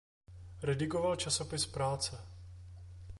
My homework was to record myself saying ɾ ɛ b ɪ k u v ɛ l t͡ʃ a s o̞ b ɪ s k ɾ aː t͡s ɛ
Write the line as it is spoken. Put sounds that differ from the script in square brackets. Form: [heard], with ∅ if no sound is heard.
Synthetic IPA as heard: ɾ ɛ [d] ɪ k [o] v [a] l t͡ʃ a s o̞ [p] ɪ s [p] ɾ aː t͡s ɛ